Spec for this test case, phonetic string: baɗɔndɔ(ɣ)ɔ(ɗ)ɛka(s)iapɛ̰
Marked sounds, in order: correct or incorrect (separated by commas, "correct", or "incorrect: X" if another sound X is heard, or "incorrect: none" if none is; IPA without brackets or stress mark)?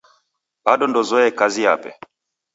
incorrect: z, incorrect: none, incorrect: z